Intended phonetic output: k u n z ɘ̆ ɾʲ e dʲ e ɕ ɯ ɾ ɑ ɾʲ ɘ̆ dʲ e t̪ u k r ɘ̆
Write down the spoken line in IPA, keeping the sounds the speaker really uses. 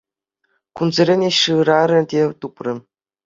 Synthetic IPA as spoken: k u n z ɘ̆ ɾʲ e nʲ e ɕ ɯ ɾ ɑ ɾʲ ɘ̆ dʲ e t̪ u p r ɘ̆